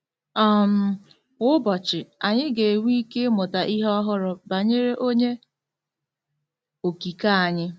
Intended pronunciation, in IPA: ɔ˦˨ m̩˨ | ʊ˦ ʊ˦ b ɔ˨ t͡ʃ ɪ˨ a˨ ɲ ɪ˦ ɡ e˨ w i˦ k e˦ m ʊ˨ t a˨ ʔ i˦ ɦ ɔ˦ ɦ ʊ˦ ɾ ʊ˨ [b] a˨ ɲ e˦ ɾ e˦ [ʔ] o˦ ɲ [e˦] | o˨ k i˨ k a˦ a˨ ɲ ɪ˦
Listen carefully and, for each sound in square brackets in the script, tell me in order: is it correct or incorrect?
correct, correct, correct

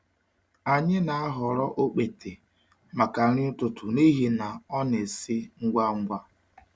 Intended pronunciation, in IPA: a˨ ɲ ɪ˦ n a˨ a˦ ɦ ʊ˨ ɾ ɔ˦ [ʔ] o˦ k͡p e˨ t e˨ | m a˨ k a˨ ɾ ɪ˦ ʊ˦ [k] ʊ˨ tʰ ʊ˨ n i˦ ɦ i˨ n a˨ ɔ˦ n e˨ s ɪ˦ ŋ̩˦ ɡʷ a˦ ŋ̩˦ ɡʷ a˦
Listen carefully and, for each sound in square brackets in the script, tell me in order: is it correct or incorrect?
correct, incorrect

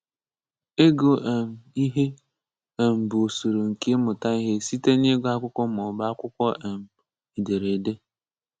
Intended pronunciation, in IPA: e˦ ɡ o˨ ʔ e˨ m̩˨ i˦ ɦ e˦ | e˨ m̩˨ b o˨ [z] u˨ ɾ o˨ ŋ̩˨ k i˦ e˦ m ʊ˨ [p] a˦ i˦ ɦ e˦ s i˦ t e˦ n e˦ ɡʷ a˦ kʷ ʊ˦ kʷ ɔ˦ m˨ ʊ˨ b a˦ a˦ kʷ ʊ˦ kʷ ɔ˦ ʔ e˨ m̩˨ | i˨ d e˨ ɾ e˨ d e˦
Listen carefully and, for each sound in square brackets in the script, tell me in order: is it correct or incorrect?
incorrect, incorrect

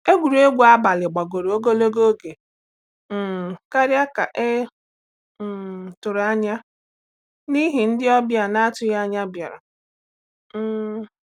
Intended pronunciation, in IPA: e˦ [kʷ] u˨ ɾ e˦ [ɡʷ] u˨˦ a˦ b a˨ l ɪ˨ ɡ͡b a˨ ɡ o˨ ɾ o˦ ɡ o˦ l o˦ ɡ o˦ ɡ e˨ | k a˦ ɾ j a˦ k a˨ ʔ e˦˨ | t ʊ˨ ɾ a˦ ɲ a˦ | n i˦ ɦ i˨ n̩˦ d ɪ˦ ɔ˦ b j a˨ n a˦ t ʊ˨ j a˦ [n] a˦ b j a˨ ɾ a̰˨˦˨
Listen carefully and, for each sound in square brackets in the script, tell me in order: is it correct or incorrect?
incorrect, correct, incorrect

